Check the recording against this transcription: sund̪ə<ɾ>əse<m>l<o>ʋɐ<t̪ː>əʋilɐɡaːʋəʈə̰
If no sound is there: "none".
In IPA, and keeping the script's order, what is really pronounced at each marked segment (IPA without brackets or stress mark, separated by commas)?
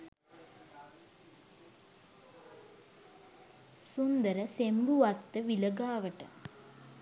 ɾ, m, u, t̪ː